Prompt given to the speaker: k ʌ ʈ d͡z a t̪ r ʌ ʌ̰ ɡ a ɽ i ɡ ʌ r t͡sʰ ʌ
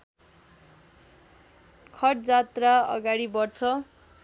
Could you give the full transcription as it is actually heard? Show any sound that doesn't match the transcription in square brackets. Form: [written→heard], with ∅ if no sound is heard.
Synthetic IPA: [k→kʰ] ʌ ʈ d͡z a t̪ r [ʌ→a] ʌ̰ ɡ a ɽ i [ɡ→b] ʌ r t͡sʰ ʌ